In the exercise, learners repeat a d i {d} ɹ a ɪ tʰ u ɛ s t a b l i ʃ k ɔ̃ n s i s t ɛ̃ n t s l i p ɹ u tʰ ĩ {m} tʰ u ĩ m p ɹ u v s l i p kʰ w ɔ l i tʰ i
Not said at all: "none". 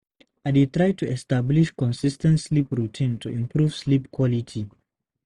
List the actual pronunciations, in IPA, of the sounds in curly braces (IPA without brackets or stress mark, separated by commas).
t, n